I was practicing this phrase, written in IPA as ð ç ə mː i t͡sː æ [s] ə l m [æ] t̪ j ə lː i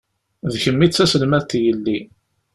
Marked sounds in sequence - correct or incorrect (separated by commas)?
correct, correct